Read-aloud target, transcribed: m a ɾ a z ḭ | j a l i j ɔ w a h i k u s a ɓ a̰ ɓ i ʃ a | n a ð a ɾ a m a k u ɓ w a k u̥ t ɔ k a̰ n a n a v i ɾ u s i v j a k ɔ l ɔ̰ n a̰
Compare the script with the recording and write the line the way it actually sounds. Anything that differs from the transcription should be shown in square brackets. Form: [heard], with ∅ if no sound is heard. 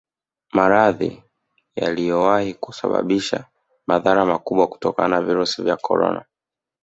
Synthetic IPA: m a ɾ a [ð] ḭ | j a l i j ɔ w a h i k u s a ɓ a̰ ɓ i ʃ a | [m] a ð a ɾ a m a k u ɓ w a k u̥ t ɔ k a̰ n a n a v i ɾ u s i v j a k ɔ [ɾ] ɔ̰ n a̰